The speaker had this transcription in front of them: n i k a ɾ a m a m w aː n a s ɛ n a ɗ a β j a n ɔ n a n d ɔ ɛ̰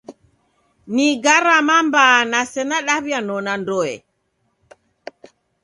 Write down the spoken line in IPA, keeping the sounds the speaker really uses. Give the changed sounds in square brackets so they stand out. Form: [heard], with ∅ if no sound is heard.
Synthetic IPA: n i [ɡ] a ɾ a m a m [b] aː n a s ɛ n a ɗ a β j a n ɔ n a n d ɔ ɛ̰